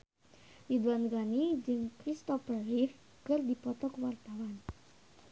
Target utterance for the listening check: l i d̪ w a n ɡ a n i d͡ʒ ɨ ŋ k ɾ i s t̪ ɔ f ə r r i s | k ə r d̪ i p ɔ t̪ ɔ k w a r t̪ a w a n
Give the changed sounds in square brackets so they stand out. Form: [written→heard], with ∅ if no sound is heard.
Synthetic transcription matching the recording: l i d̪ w a n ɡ a n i d͡ʒ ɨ ŋ k ɾ i s t̪ ɔ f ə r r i [s→f] | k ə r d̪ i p ɔ t̪ ɔ k w a r t̪ a w a n